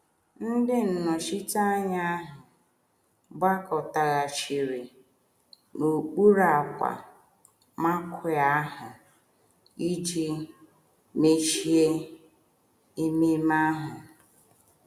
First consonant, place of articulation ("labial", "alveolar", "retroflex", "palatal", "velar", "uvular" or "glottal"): alveolar